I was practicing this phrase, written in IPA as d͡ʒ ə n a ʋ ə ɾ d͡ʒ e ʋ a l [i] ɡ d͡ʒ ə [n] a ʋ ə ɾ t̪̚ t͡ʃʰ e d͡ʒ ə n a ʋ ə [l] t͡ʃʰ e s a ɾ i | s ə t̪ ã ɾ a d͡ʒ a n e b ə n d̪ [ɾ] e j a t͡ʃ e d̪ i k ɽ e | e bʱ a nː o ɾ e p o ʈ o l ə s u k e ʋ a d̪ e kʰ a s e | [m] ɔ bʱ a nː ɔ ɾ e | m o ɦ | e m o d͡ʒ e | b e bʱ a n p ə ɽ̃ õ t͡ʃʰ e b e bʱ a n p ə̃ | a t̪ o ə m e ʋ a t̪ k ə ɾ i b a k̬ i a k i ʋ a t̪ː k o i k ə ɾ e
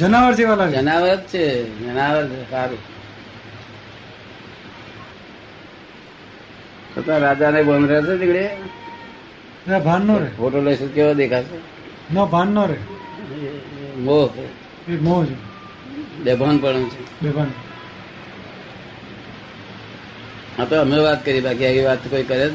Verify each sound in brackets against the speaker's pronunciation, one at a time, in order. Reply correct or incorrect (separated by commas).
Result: incorrect, correct, incorrect, correct, incorrect